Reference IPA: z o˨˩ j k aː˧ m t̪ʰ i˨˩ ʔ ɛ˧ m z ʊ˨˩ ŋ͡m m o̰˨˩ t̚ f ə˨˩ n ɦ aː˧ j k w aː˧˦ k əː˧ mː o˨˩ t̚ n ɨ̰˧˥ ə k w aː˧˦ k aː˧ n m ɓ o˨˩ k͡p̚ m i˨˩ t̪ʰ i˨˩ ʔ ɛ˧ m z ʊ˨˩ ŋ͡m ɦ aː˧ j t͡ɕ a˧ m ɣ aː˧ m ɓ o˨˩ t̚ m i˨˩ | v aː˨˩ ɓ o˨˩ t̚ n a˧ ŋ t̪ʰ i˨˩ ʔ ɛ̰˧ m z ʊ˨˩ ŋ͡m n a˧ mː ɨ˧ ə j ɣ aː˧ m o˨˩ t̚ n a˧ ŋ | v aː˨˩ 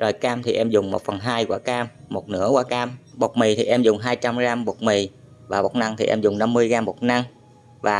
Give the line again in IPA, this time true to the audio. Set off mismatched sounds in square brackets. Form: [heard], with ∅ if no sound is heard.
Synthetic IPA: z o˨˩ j k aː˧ m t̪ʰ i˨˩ ʔ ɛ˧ m z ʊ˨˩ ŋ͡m m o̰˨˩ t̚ f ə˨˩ n ɦ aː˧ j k w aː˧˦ k [aː˧] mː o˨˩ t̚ n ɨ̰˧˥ ə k w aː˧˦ k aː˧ [∅] m ɓ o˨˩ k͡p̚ m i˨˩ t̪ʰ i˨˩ ʔ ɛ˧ m z ʊ˨˩ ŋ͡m ɦ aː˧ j t͡ɕ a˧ m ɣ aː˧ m ɓ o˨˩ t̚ m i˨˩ | v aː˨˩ ɓ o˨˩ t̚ n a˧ ŋ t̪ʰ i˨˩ ʔ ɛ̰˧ m z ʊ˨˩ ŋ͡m n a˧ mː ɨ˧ ə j ɣ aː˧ m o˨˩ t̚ n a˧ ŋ | v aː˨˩